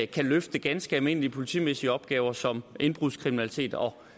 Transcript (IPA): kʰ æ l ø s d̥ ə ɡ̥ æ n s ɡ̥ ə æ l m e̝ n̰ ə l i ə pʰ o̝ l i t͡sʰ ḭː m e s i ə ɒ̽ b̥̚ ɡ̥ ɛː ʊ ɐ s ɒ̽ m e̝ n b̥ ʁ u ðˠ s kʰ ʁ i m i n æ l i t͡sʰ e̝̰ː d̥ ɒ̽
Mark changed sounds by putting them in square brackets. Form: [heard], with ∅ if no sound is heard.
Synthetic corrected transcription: kʰ æ l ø [f] d̥ ə ɡ̥ æ n s ɡ̥ ə æ l m e̝ n̰ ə l i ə pʰ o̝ l i t͡sʰ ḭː m e s i ə ɒ̽ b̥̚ ɡ̥ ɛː ʊ ɐ s ɒ̽ m e̝ n b̥ ʁ u ðˠ s kʰ ʁ i m i n æ l i t͡sʰ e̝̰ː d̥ ɒ̽